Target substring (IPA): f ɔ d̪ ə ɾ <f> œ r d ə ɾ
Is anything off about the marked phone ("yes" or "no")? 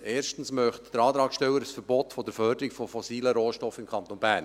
no